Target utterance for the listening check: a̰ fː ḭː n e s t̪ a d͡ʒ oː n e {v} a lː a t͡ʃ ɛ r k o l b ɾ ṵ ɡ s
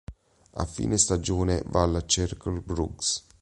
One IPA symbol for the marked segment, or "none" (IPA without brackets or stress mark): v